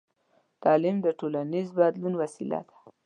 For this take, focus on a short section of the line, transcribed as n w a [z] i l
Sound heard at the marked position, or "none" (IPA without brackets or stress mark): s